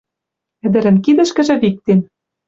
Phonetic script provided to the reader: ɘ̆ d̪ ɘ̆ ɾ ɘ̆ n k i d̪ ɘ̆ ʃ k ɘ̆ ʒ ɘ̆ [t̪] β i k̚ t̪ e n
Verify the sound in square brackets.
incorrect: none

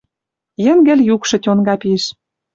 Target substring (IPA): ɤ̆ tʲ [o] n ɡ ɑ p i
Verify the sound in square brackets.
correct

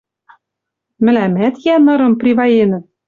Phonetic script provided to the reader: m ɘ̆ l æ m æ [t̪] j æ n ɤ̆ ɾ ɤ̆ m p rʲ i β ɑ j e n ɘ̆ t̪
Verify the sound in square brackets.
correct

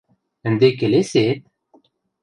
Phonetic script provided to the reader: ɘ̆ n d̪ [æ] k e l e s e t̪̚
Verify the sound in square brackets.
incorrect: e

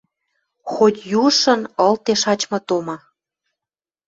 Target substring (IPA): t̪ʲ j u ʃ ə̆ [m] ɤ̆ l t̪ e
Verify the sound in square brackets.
incorrect: n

